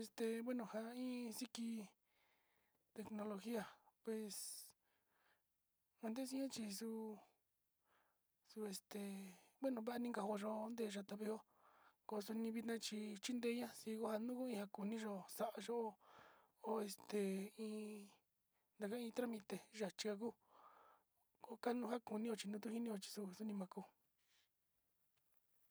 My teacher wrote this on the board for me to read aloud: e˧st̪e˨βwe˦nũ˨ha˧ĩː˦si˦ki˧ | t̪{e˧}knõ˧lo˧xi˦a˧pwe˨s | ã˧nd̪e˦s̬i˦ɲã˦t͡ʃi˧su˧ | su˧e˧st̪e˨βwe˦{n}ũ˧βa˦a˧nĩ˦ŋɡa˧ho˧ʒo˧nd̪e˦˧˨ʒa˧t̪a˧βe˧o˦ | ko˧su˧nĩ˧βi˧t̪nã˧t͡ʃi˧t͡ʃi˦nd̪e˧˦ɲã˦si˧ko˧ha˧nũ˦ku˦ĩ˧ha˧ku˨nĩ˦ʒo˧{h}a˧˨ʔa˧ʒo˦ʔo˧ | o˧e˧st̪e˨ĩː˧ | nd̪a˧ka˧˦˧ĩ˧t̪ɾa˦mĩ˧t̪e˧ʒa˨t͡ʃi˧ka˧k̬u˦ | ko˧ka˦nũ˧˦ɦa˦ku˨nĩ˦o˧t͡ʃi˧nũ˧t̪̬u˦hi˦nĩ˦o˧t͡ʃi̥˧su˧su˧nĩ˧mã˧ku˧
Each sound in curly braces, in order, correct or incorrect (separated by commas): correct, correct, incorrect